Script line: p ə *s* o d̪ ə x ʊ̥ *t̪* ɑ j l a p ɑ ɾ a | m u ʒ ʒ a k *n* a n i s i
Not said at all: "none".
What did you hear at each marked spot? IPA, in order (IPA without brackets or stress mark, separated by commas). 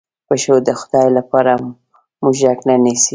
ʃ, d̪, n